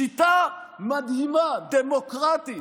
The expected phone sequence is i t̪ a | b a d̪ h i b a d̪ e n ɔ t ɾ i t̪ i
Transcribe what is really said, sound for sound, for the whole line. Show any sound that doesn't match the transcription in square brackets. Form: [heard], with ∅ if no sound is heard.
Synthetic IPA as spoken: i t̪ a | [m] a d̪ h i [m] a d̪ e [m] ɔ [k] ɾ [a] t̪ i